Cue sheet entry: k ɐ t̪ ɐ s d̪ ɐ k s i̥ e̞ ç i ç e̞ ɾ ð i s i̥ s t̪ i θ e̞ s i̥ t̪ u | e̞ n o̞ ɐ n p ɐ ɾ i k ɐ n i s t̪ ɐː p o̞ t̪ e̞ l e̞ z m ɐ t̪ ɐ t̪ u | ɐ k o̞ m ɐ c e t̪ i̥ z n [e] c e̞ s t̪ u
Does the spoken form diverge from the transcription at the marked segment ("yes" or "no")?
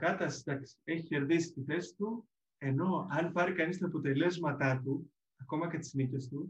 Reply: yes